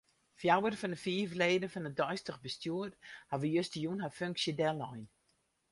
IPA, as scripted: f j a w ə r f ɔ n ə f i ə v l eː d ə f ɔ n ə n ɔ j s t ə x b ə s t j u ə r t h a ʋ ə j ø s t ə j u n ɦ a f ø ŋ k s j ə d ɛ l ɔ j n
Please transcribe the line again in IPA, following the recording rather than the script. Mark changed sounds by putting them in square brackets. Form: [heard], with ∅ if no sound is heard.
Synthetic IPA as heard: f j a w ə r f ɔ n ə f i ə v l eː d ə f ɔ n ə [d] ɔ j s t ə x b ə s t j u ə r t h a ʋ ə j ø s t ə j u n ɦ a f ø ŋ k s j ə d ɛ l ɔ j n